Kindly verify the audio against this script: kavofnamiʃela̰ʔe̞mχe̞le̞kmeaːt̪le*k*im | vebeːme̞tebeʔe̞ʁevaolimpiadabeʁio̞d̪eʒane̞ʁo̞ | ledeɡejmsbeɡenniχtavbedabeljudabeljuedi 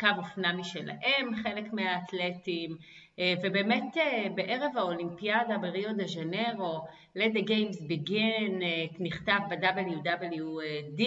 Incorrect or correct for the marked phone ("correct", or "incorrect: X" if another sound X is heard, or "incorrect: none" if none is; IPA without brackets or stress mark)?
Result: incorrect: t